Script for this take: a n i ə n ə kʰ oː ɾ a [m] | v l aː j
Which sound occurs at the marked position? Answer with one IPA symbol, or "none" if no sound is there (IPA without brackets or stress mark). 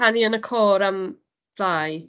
m